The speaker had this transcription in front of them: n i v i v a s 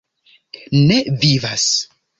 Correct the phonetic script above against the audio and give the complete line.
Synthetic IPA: n e v i v a s